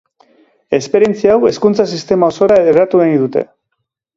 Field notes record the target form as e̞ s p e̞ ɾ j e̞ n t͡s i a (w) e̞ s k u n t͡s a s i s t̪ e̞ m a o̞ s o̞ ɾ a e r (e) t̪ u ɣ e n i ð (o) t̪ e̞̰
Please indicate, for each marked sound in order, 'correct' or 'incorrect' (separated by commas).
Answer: correct, incorrect, incorrect